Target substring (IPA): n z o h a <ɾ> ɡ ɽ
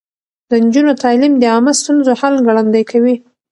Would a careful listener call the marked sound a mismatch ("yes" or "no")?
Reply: yes